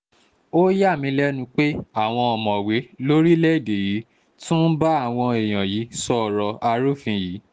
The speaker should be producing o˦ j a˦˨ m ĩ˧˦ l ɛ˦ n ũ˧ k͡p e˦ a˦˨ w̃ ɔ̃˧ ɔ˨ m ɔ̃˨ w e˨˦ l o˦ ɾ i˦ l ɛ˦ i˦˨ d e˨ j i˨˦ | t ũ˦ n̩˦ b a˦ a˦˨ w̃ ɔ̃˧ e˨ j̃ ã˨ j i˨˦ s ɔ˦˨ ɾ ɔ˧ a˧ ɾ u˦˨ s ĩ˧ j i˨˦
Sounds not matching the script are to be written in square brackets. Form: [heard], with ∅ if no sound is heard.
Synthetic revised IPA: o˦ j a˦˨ m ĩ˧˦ l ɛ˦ n ũ˧ k͡p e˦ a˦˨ w̃ ɔ̃˧ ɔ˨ m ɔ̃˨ w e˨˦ l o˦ ɾ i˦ l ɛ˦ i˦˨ d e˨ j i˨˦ | t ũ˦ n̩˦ b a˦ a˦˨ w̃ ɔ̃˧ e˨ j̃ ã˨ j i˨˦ s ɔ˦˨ ɾ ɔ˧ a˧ ɾ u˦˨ [f] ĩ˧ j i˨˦

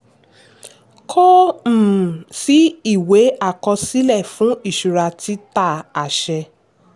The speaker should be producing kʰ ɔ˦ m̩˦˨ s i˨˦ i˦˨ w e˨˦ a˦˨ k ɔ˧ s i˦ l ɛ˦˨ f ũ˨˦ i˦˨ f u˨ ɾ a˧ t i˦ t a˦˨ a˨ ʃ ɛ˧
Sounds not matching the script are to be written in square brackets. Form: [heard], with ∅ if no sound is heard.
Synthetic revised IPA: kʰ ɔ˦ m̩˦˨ s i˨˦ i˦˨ w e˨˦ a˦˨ k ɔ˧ s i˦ l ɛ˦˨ f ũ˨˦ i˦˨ [ʃ] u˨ ɾ a˧ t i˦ t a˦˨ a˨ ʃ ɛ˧

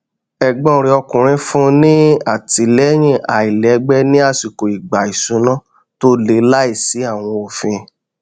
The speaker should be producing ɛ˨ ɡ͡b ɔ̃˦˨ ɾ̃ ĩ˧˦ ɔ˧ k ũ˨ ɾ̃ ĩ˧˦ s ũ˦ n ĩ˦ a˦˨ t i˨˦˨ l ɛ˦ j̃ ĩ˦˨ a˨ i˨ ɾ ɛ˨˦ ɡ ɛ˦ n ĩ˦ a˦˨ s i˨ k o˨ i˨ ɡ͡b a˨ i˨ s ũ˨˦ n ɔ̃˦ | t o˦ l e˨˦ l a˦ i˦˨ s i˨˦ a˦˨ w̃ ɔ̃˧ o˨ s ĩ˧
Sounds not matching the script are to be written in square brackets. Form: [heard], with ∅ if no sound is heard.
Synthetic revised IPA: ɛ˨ ɡ͡b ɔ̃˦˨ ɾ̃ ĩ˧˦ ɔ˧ k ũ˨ ɾ̃ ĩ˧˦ [f] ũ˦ n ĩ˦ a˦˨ t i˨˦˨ l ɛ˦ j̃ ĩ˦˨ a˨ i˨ [l] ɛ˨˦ [ɡ͡b] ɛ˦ n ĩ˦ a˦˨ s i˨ k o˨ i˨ ɡ͡b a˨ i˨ s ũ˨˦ n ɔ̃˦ | t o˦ l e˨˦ l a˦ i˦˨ s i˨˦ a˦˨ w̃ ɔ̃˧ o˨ [f] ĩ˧

